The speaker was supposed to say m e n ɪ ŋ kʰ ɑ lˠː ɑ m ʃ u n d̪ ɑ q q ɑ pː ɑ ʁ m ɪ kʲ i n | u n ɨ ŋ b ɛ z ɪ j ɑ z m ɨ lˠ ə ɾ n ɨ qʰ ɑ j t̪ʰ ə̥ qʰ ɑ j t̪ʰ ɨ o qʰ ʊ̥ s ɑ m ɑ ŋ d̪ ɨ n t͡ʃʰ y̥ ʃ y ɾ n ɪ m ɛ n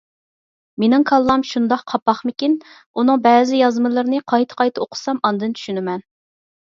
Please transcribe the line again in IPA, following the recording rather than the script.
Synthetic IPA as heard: m e n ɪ ŋ kʰ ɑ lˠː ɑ m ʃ u n d̪ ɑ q qʰ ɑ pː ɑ χ m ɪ kʲ i n | u n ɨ ŋ b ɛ z ɪ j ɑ z m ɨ lˠ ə ɾ n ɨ qʰ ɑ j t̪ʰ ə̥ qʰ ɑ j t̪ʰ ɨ o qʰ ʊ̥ s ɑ m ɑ n d̪ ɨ n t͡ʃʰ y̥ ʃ y n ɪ m ɛ n